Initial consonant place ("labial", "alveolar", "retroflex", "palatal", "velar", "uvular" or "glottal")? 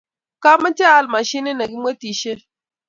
velar